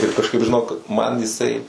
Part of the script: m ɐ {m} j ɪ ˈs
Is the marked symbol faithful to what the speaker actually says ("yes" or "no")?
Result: no